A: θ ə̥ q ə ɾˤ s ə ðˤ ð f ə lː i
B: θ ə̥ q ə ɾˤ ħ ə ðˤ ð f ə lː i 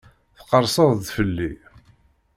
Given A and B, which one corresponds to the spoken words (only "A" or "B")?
A